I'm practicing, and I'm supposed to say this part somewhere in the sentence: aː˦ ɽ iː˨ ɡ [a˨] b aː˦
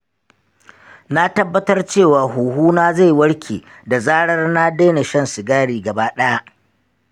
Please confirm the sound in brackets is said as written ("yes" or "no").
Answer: no